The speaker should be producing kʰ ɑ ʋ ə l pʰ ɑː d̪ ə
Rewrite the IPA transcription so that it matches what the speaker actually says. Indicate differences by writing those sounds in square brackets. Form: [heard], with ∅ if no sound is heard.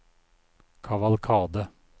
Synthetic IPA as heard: kʰ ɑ ʋ [ɑ] l [kʰ] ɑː d̪ ə